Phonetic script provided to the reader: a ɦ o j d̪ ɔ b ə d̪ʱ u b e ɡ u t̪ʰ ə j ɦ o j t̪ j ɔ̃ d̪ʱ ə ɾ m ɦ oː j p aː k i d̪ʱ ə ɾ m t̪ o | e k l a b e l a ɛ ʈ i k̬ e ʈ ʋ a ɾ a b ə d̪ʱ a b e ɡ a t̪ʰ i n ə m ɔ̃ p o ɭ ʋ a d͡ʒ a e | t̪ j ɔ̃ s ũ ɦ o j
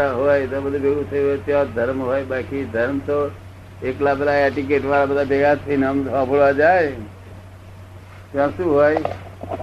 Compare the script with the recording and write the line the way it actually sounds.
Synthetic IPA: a ɦ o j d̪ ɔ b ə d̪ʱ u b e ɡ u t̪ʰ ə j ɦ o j t̪ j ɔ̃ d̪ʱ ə ɾ m ɦ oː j b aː k i d̪ʱ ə ɾ m t̪ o | e k l a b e l a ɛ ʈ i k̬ e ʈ ʋ a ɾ a b ə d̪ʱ a b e ɡ a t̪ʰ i n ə m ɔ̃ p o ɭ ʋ a d͡ʒ a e | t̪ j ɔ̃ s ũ ɦ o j